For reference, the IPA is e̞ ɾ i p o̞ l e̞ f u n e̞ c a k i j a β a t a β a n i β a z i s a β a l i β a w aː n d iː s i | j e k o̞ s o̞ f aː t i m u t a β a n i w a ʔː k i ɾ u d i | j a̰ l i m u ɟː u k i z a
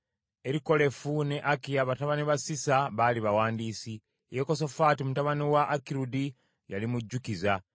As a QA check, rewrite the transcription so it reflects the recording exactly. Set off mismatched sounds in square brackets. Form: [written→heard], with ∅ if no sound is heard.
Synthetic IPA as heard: e̞ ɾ i [p→k] o̞ l e̞ f u n e̞ [c→ʔ] a k i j a β a t a β a n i β a [z→s] i s a β a l i β a w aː n d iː s i | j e k o̞ s o̞ f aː t i m u t a β a n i w a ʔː k i ɾ u d i | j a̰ l i m u ɟː u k i z a